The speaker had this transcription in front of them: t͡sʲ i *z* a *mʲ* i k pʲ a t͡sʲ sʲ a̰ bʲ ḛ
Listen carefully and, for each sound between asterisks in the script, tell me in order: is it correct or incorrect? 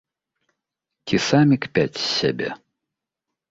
incorrect, correct

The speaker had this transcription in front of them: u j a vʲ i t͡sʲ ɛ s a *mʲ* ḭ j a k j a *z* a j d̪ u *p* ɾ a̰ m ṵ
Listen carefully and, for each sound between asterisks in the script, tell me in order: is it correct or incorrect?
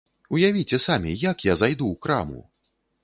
correct, correct, incorrect

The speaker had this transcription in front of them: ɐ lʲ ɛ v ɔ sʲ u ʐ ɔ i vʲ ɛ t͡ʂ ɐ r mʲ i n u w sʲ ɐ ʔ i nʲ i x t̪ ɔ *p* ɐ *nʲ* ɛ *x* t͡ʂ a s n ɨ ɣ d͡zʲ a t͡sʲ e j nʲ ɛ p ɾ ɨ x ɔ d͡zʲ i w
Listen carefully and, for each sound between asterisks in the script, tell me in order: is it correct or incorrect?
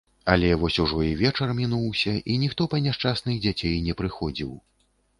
correct, correct, incorrect

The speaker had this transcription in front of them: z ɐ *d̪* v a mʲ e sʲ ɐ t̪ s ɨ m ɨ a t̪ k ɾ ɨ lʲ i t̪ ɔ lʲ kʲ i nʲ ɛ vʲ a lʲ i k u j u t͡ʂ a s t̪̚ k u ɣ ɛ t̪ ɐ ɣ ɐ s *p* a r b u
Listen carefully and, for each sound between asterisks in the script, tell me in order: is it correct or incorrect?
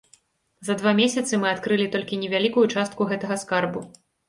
correct, incorrect

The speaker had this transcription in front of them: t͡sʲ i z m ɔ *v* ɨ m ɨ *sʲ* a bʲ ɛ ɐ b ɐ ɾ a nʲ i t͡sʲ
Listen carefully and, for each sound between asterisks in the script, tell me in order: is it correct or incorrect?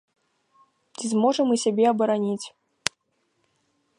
incorrect, correct

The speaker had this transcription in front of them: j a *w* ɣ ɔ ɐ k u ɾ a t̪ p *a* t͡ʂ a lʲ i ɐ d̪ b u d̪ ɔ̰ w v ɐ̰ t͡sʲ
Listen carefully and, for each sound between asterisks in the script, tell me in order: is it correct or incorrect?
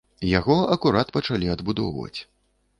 incorrect, incorrect

